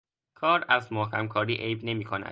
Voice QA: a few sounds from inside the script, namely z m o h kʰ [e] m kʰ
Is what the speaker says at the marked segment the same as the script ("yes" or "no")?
no